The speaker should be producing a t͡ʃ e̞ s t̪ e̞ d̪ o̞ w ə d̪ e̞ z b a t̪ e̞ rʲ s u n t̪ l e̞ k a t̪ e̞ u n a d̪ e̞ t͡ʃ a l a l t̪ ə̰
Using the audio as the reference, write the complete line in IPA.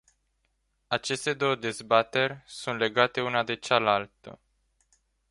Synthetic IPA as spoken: a t͡ʃ e̞ s t̪ e̞ d̪ o̞ w ə d̪ e̞ z b a t̪ e̞ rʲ s u n t̪ l e̞ ɡ a t̪ e̞ u n a d̪ e̞ t͡ʃ a l a l t̪ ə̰